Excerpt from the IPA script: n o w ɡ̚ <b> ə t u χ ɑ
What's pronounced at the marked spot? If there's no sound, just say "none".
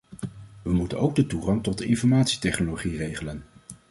d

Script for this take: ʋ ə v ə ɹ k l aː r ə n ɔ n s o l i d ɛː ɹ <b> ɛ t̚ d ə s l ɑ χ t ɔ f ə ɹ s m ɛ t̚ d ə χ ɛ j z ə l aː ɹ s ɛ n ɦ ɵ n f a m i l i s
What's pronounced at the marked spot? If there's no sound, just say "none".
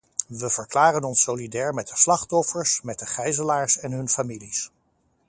m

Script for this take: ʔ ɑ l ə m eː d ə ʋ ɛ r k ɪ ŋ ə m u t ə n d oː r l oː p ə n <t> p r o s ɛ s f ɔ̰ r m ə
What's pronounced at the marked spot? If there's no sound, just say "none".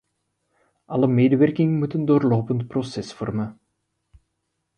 t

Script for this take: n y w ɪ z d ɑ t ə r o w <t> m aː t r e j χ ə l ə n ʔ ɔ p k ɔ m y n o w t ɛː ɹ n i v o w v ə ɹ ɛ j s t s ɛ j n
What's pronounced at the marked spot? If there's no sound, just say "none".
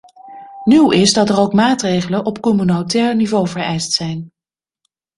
k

